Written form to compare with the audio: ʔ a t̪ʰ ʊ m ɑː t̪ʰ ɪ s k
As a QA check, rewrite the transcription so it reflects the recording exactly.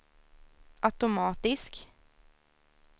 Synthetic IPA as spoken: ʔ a t̪ ʊ m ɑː t̪ ɪ s k

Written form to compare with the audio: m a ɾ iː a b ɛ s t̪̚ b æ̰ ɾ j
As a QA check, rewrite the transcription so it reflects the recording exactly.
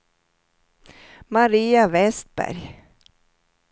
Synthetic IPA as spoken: m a ɾ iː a v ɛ s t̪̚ b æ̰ ɾ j

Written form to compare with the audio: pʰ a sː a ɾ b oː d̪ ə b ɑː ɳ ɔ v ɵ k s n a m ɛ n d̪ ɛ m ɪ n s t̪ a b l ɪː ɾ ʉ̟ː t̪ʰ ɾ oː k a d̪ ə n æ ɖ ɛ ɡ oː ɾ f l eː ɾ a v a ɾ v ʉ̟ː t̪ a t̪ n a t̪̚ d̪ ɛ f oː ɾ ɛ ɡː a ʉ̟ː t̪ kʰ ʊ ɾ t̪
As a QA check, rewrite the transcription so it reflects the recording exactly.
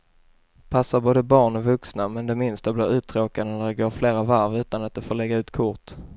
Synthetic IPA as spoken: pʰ a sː a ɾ b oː d̪ ə b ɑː ɳ ɔ v ɵ k s n a m ɛ n d̪ ɛ m ɪ n s t̪ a b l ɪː ɾ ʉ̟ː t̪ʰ ɾ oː k a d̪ ə n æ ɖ ɛ ɡ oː ɾ f l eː ɾ a v a ɾ v ʉ̟ː t̪ a n a t̪̚ d̪ ɛ f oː ɭ ɛ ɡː a ʉ̟ː t̪ kʰ ʊ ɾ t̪

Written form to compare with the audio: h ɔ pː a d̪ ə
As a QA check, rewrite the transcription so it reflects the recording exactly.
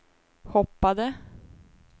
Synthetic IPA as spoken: h ɔ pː a d̪ ə

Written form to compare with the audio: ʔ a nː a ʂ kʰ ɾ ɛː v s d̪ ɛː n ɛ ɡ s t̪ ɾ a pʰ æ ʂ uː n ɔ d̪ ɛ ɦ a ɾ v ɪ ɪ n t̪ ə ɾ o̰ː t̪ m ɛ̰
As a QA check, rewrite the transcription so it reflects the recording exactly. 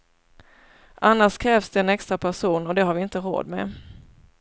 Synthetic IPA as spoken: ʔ a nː a ʂ kʰ ɾ ɛː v s d̪ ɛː n ɛ k s t̪ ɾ a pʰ æ ʂ uː n ɔ d̪ ɛ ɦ a ɾ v ɪ ɪ n t̪ ə ɾ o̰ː d̪ m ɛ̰

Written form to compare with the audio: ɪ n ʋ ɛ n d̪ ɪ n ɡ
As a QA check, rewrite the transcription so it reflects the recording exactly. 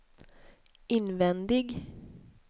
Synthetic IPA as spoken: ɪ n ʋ ɛ n d̪ ɪ ɡ

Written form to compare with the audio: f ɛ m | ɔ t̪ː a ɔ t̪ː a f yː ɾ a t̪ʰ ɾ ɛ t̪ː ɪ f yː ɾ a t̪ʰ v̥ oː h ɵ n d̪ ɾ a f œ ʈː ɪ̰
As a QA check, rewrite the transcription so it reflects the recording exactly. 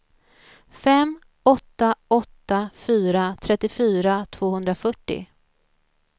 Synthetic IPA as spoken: f ɛ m | ɔ t̪ː a ɔ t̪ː a f yː ɾ a t̪ʰ ɾ ɛ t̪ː ɪ f yː ɾ a t̪ʰ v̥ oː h ɵ n d̪ ɾ a f œ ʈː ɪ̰

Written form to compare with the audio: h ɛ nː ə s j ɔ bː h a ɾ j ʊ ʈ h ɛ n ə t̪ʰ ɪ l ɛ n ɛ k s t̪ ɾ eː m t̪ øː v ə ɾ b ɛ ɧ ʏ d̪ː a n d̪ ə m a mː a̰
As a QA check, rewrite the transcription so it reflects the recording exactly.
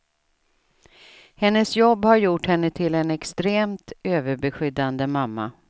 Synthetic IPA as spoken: h ɛ nː ə s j ɔ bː h a ɾ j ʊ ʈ h ɛ nː ə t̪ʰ ɪ l ɛ n ɛ k s t̪ ɾ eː m t̪ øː v ə ɾ b ɛ ɧ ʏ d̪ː a n d̪ ə m a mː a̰

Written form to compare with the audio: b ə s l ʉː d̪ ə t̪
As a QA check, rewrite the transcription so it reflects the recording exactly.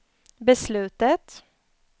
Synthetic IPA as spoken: b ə s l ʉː t̪ ə t̪

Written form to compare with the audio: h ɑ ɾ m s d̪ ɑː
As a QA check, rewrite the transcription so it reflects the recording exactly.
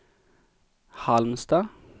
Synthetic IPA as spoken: h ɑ l m s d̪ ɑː

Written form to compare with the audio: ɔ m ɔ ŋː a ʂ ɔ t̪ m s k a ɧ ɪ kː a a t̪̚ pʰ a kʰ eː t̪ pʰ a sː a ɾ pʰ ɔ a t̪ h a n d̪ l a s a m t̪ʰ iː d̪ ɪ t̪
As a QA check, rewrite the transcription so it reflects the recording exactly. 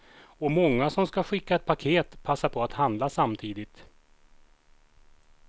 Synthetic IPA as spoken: ɔ m ɔ ŋː a s ɔ m s k a ɧ ɪ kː a ɛ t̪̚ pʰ a kʰ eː t̪ pʰ a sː a ɾ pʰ ɔ a t̪ h a n d̪ l a s a m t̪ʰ iː d̪ ɪ t̪

